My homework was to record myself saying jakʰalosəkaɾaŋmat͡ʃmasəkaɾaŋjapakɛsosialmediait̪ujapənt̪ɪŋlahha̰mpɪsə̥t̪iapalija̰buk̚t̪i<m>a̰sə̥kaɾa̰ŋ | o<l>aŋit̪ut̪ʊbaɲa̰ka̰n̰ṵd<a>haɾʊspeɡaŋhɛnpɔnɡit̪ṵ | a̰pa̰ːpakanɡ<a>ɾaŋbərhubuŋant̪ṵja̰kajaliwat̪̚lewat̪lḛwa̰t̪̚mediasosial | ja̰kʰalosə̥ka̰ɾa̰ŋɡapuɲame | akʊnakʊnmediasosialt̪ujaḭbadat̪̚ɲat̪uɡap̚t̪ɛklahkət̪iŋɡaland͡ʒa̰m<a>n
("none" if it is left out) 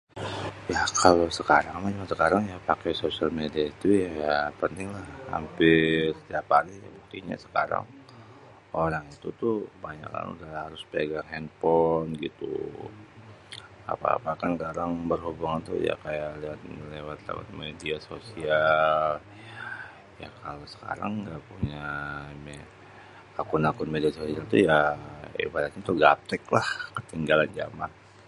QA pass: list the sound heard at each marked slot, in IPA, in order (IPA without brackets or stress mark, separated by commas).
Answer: ɲ, ɾ, a, a, a